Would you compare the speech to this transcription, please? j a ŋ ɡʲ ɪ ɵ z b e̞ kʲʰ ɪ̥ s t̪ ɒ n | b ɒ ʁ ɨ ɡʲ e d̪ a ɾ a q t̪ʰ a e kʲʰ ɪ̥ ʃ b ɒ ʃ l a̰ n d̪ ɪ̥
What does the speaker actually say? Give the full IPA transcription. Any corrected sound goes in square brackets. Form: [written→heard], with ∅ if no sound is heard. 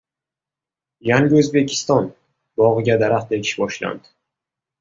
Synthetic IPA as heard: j a ŋ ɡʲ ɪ ɵ z b e̞ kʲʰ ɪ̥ s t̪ ɒ n | b ɒ ʁ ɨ ɡʲ [e→a] d̪ a ɾ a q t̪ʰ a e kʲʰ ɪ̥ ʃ b ɒ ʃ l a̰ n d̪ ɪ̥